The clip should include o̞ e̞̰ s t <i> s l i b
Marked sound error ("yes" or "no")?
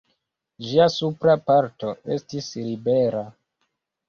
no